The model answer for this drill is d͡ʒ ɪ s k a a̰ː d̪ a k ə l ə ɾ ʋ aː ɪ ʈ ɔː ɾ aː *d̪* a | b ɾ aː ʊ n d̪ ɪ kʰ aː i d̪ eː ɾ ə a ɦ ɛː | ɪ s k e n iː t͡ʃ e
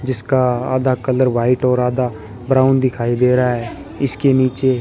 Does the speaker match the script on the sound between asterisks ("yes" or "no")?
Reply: yes